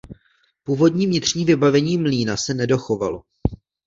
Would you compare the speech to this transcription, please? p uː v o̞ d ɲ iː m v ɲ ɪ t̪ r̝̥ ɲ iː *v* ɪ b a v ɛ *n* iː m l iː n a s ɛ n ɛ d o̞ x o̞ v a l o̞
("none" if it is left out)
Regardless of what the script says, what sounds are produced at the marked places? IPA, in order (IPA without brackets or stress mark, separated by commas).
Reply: v, ɲ